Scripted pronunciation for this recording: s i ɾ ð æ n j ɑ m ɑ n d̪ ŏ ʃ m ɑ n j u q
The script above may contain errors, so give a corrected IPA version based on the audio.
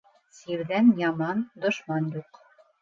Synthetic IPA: s i ɾ ð æ n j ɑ m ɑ n d̪ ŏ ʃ m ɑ n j u q